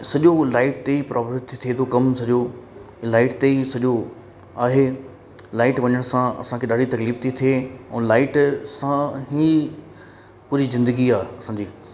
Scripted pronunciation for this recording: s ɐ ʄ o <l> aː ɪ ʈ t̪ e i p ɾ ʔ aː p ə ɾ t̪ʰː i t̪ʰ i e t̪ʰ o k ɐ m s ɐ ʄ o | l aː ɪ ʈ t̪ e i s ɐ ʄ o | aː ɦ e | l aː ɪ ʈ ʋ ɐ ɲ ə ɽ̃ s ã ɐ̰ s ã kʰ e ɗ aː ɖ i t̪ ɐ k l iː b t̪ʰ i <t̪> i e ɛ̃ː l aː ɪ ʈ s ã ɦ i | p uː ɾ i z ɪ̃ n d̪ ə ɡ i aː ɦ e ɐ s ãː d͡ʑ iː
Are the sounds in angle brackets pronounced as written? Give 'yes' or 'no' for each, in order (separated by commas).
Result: yes, no